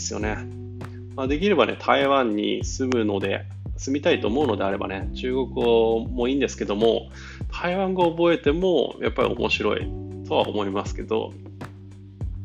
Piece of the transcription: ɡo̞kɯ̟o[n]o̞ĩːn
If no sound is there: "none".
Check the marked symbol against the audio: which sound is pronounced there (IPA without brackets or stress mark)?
m